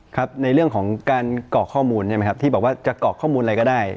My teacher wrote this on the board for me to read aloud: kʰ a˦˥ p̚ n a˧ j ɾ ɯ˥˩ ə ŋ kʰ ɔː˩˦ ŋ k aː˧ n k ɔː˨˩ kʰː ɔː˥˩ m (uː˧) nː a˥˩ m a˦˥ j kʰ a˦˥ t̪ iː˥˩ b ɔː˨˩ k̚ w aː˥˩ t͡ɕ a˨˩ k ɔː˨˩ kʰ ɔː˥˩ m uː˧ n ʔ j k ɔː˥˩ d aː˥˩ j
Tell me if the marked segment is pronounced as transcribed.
yes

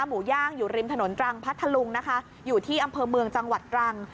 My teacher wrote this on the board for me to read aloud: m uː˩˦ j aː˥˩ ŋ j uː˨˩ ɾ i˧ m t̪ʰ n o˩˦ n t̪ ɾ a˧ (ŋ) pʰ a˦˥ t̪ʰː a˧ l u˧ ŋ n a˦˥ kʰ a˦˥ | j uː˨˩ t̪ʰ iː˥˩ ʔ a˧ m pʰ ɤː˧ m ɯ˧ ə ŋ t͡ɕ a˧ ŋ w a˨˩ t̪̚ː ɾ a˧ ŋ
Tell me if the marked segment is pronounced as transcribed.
yes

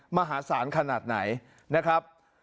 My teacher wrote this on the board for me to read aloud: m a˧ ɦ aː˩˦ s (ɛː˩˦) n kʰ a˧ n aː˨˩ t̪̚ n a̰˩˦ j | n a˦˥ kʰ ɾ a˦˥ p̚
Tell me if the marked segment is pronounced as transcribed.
no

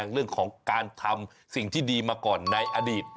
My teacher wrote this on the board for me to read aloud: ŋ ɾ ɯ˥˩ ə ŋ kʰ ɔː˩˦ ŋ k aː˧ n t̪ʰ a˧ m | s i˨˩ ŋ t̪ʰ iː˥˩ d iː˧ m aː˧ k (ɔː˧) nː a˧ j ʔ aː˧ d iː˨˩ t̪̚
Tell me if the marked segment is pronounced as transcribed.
no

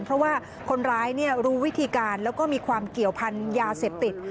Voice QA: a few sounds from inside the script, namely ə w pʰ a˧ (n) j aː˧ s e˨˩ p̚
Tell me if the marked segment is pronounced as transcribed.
yes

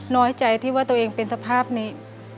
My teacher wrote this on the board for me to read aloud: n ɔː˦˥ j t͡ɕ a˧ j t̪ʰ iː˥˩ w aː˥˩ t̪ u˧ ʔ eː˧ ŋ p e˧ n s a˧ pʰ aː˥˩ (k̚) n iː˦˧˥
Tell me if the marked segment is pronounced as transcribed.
no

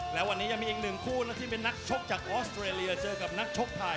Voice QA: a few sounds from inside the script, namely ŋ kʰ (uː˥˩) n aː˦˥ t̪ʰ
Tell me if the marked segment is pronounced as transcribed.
yes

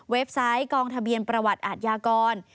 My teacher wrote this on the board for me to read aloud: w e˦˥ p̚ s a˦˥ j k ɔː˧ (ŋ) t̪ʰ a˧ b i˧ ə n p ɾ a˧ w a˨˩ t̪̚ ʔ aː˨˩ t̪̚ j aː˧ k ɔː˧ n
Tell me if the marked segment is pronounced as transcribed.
yes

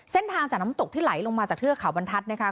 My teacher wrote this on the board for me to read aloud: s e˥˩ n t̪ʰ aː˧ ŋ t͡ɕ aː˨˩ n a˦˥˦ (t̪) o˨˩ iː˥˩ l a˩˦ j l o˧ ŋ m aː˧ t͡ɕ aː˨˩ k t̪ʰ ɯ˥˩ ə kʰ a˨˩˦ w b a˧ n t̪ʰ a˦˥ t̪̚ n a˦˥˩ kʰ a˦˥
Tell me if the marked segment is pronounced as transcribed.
yes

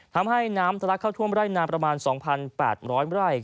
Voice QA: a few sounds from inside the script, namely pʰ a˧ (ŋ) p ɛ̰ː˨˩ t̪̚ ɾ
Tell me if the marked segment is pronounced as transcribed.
no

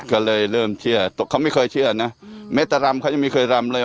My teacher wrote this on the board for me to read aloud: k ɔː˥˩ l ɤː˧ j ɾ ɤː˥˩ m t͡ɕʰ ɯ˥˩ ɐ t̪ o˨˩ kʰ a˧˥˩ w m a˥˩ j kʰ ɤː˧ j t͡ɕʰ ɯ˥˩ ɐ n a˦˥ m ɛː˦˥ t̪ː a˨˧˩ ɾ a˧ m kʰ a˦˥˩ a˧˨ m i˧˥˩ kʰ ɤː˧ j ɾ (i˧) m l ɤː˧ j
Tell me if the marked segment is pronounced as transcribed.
no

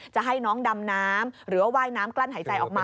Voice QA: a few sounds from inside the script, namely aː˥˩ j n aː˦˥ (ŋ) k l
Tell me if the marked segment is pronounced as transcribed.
no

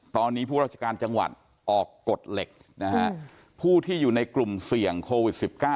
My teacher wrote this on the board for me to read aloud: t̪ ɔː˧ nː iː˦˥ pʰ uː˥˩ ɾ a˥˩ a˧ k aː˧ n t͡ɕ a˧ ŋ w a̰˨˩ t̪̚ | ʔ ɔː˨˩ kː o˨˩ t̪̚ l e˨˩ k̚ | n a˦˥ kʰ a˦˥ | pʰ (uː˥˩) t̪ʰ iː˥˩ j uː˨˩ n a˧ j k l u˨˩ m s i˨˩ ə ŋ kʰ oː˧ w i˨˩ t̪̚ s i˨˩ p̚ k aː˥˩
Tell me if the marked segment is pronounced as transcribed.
yes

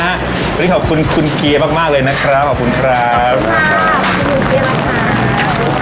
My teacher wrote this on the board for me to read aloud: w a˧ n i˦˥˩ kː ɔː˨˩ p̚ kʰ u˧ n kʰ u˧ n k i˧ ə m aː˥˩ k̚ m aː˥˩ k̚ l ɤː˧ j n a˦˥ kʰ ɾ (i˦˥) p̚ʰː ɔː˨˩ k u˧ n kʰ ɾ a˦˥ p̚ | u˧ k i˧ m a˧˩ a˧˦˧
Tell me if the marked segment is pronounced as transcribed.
no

